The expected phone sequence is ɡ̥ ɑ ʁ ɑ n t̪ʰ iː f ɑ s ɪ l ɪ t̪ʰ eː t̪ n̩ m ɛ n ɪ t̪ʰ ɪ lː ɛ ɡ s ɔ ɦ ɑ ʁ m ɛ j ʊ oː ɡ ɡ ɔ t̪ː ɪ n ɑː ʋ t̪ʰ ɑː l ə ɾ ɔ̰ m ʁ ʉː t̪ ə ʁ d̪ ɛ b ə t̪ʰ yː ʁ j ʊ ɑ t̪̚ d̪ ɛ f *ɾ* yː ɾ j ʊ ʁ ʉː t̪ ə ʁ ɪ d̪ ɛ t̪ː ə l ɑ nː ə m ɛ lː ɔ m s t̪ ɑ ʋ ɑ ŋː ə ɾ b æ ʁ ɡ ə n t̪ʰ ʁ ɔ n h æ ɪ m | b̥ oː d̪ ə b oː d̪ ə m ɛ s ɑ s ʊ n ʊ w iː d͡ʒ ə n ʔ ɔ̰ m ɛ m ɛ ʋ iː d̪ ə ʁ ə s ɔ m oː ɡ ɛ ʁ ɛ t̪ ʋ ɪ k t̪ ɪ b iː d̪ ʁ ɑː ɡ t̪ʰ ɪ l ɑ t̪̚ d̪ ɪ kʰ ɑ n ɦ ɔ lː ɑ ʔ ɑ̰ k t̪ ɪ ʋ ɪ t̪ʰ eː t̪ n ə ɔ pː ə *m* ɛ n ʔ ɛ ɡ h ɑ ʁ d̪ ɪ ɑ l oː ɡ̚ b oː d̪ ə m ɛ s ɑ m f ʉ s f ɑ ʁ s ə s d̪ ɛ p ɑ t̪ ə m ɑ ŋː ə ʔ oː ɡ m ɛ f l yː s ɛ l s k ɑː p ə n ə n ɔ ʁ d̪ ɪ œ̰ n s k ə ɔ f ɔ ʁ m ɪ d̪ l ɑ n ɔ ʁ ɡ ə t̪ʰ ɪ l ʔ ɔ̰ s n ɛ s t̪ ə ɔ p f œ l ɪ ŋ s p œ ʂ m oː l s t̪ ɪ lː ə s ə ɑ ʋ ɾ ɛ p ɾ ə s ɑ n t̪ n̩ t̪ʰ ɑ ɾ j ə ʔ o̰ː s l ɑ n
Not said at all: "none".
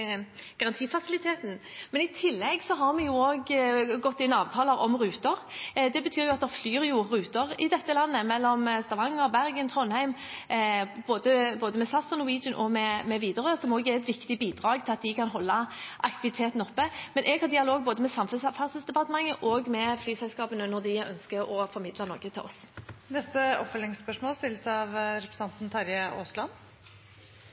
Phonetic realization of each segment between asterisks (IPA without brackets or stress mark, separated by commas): l, m